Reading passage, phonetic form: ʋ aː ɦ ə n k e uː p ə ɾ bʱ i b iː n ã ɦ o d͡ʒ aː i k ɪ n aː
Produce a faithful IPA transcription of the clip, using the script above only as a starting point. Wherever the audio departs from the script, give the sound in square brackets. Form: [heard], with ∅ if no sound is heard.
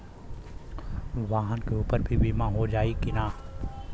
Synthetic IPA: ʋ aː ɦ ə n k e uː p ə ɾ bʱ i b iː [m] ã ɦ o d͡ʒ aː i k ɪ n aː